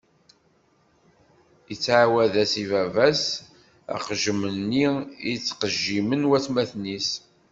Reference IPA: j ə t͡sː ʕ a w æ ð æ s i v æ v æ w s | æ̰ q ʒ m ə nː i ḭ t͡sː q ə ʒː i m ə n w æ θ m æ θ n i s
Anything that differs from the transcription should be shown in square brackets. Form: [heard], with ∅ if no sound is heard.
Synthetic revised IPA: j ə t͡sː ʕ a w æ ð æ s i v æ v æ [∅] s | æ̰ q ʒ m ə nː i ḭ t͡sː q ə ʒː i m ə n w æ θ m æ θ n i s